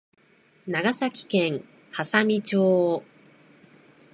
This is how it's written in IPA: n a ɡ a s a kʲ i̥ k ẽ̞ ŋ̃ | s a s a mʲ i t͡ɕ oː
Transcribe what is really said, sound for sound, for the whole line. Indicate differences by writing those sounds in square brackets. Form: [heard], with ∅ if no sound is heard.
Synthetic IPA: n a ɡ a s a kʲ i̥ k ẽ̞ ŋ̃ | [h] a s a mʲ i t͡ɕ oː